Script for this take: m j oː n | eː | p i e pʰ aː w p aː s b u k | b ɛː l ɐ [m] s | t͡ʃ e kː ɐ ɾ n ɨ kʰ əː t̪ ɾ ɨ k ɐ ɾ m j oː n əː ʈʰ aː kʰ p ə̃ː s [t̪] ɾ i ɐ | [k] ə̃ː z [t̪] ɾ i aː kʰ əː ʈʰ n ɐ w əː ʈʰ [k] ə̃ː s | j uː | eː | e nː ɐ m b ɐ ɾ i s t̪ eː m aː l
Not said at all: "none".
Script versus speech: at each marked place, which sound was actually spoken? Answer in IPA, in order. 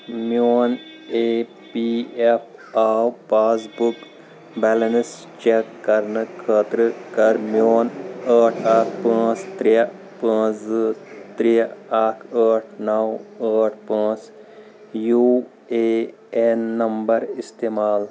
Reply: n, t̪, p, t̪, p

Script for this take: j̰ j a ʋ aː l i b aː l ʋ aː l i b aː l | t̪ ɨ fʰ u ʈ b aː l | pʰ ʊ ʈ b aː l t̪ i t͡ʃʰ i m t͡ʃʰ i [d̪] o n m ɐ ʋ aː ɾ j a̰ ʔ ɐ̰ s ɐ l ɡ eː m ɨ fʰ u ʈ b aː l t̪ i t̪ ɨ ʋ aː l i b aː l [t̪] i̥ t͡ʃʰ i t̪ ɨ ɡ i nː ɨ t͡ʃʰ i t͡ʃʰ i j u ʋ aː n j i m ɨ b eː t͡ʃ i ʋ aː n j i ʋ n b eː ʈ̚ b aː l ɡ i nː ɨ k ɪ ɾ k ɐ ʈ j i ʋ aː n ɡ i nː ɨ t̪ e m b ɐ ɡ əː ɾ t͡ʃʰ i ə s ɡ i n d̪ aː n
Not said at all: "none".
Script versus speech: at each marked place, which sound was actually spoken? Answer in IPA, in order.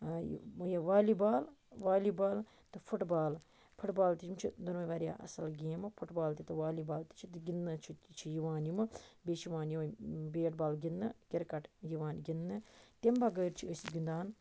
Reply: d̪, t̪

